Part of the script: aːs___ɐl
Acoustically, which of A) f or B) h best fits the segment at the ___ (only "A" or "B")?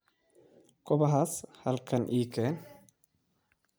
B